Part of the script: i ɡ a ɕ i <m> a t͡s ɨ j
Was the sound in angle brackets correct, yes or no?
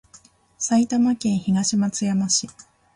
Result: yes